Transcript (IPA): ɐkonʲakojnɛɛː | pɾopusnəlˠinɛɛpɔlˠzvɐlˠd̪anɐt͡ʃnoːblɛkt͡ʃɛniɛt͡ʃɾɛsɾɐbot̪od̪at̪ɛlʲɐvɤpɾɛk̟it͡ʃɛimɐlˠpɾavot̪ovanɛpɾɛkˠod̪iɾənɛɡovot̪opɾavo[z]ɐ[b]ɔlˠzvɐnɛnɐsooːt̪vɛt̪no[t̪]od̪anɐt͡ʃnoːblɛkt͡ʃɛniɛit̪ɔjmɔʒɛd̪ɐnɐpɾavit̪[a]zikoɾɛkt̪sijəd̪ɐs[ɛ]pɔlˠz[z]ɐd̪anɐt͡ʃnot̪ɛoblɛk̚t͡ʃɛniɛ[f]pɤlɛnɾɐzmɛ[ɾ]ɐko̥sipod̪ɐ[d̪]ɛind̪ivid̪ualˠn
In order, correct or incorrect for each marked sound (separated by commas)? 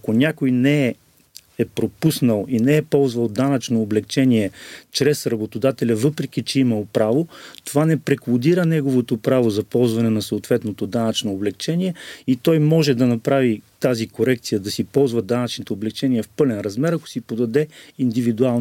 correct, incorrect, correct, correct, incorrect, incorrect, correct, correct, correct